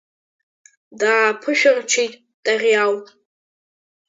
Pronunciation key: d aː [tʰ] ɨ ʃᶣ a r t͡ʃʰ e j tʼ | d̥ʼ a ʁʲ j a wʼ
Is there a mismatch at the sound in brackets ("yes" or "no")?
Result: yes